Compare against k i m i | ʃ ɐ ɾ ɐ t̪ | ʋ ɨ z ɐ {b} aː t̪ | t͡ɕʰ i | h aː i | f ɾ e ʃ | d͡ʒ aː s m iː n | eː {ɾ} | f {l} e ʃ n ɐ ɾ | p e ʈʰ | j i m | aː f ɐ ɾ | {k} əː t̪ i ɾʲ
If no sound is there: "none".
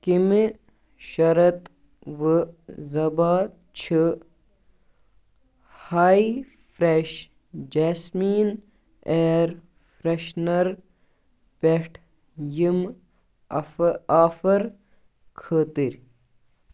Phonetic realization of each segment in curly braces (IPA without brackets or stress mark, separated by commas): b, ɾ, ɾ, kʰ